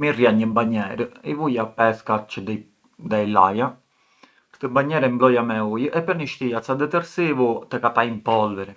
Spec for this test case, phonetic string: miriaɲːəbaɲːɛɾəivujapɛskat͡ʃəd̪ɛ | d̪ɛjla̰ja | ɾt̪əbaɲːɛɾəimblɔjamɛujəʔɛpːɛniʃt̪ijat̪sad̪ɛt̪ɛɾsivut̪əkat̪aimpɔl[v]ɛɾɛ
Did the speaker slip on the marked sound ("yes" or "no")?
no